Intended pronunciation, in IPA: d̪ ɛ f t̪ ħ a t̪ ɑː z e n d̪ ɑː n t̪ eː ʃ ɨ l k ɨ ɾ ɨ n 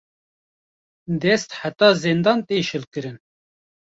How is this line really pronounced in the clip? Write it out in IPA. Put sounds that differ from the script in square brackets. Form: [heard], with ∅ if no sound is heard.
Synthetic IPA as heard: d̪ ɛ [s] t̪ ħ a t̪ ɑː z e n d̪ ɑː n t̪ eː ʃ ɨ l k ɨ ɾ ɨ n